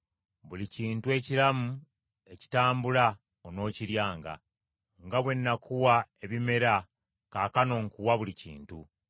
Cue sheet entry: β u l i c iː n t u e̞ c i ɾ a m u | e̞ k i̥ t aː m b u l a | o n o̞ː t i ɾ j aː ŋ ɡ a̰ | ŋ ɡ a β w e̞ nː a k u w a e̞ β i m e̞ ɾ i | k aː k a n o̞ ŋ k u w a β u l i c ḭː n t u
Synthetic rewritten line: β u l i c iː n t u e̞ c i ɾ a m u | e̞ c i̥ t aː m b u l a | o n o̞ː c i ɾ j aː ŋ ɡ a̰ | ŋ ɡ a β w e̞ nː a k u w a e̞ β i m e̞ ɾ a | k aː k a n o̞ ŋ k u w a β u l i c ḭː n t u